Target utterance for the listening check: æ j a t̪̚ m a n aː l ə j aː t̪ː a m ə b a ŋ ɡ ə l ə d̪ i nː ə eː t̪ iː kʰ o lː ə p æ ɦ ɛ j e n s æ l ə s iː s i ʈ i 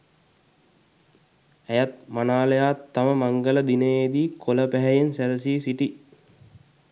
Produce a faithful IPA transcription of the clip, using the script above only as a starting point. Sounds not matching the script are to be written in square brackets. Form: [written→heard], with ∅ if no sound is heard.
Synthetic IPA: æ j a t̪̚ m a n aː l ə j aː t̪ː a m ə [b→m] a ŋ ɡ ə l ə d̪ i [nː→n] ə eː [t̪→d̪] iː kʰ o [lː→l] ə p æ ɦ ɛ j e n s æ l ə s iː s i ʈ i